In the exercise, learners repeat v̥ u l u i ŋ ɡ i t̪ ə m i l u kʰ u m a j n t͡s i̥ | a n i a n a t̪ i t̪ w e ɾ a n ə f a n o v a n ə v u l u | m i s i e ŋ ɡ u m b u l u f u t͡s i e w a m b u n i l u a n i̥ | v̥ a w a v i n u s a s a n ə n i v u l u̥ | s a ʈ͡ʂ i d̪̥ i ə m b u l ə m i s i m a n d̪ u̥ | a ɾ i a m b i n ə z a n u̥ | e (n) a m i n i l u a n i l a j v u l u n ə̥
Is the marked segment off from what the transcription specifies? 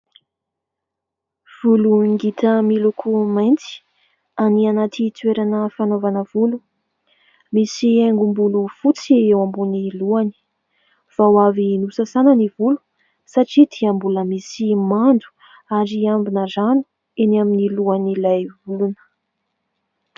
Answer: no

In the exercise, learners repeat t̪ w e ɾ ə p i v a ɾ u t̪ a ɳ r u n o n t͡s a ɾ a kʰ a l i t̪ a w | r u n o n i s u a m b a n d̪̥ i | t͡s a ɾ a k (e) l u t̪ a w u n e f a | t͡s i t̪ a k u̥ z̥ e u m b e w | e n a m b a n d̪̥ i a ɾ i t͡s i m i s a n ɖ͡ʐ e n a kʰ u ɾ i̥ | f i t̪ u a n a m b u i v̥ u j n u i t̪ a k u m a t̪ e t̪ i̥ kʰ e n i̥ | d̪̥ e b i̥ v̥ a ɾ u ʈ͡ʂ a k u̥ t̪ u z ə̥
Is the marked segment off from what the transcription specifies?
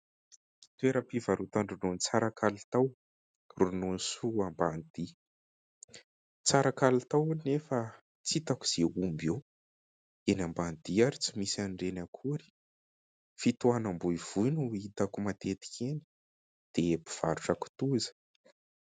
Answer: yes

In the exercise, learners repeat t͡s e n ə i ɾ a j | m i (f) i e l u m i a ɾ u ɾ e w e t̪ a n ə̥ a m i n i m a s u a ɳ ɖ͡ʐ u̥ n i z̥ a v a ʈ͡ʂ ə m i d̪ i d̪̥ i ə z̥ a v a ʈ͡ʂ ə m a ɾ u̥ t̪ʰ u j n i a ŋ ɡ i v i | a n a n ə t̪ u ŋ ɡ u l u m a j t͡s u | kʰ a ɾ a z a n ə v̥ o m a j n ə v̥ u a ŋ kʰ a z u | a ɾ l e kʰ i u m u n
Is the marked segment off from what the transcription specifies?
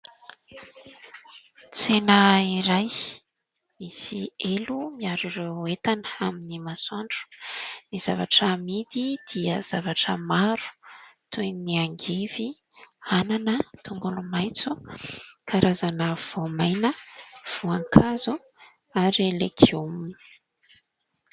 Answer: yes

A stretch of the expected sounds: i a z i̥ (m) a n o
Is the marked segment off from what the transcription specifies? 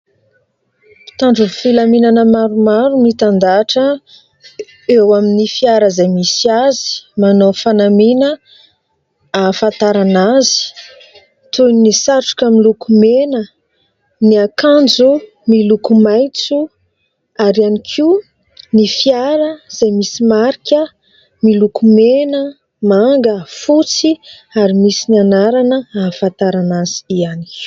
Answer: no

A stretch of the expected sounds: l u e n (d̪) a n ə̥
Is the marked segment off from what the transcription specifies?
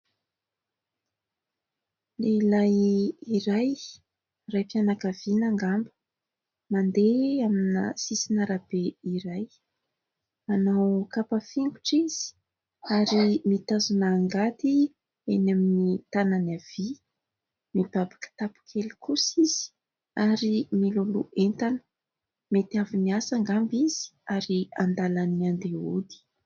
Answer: yes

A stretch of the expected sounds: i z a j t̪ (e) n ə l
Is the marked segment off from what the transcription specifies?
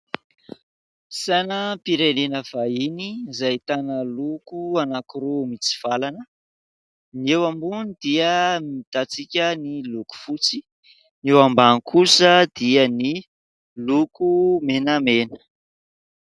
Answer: yes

